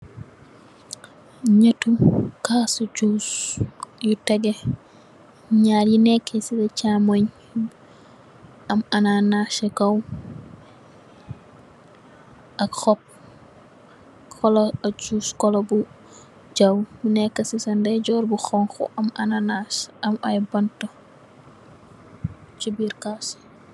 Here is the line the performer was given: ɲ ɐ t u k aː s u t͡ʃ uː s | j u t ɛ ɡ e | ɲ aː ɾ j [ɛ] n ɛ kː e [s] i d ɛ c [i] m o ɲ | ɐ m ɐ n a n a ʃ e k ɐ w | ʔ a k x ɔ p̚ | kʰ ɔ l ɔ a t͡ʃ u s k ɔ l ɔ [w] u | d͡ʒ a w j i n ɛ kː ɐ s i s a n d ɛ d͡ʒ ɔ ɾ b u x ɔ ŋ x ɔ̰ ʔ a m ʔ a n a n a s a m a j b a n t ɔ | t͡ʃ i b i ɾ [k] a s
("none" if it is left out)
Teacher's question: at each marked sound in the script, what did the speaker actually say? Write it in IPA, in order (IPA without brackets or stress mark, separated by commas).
i, s, a, b, k